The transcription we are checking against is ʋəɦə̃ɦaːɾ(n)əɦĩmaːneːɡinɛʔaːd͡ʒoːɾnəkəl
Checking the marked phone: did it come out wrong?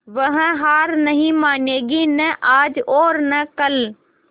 no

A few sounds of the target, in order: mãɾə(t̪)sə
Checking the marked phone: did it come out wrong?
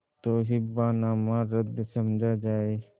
yes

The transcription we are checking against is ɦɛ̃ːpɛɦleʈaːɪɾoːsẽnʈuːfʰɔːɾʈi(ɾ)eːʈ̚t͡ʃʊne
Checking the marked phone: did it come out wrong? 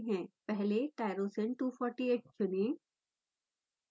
yes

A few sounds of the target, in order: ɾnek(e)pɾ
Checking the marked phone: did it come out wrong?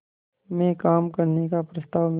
yes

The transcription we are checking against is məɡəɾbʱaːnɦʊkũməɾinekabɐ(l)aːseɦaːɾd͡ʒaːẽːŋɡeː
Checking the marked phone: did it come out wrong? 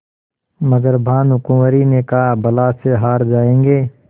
no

